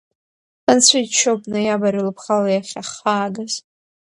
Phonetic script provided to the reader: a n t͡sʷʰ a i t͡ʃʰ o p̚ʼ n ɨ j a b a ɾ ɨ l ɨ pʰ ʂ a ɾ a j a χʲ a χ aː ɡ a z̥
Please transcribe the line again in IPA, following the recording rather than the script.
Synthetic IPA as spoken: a n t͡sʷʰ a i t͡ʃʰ o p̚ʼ n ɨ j a b a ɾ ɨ l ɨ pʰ χ a l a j a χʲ a χ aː ɡ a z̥

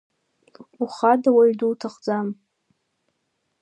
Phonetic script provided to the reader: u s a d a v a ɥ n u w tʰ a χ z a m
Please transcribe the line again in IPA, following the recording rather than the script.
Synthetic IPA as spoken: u χ a d a w a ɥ d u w tʰ a χ d͡z a m

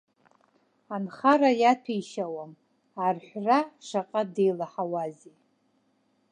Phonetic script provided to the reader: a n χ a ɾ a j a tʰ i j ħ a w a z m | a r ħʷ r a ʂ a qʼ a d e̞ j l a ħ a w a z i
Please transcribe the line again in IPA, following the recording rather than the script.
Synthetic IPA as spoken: a n χ a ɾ a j a tʰ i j ʃ a w a m | a r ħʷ r a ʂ a qʼ a d e̞ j l a ħ a w a z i

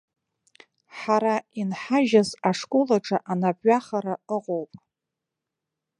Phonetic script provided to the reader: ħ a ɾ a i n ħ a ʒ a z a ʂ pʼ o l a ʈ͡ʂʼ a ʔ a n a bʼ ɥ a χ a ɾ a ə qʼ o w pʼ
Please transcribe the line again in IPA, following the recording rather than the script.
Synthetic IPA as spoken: ħ a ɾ a i n ħ a ʒ a z a ʂ kʼ o l a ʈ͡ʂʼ a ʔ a n a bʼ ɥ a χ a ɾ a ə qʼ o w pʼ

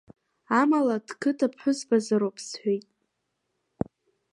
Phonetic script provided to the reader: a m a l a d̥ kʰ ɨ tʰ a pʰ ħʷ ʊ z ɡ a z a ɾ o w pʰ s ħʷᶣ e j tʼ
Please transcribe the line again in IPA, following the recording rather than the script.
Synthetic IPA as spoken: a m a l a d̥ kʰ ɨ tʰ a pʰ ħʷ ʊ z b a z a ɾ o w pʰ s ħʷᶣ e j tʼ

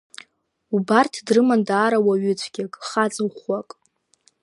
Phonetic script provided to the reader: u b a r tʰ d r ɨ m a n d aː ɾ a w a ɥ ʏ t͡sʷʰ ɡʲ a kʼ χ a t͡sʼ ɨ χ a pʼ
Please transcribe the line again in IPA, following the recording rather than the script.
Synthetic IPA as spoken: u b a r tʰ d r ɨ m a n d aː ɾ a w a ɥ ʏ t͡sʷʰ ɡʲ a kʼ χ a t͡sʼ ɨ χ a kʼ

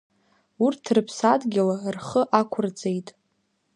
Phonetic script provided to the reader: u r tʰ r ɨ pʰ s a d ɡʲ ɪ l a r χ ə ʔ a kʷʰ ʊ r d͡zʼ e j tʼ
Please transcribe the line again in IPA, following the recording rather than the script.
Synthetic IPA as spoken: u r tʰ r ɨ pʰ s a d ɡʲ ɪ l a r χ ə ʔ a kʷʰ ʊ r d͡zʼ e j tʼ

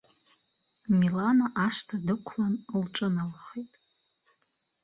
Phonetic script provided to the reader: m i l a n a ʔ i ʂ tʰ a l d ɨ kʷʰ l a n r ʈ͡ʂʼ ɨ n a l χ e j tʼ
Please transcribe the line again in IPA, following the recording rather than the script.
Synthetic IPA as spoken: m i l a n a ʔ a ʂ tʰ a d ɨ kʷʰ l a n l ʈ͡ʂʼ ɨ n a l χ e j tʼ

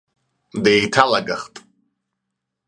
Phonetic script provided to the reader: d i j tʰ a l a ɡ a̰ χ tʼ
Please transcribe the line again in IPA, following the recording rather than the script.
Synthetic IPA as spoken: d e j tʰ a l a ɡ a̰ χ tʼ

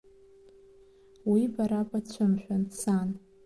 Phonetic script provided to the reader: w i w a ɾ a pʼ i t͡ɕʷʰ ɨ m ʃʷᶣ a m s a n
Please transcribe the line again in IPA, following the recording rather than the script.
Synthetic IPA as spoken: w i b a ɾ a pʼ a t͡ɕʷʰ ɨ m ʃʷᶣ a n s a n

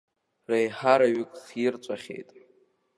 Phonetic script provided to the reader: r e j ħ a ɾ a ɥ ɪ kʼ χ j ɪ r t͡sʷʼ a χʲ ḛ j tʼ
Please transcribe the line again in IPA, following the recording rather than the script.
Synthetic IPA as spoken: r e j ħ a ɾ a ɥ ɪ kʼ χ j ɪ r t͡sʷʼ a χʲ ḛ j tʼ

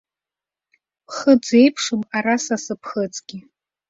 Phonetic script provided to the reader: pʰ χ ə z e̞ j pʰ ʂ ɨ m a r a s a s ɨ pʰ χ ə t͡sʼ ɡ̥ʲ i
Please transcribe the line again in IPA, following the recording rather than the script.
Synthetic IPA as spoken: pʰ χ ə d͡z e̞ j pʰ ʂ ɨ m a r a s a s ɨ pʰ χ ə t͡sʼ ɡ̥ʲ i

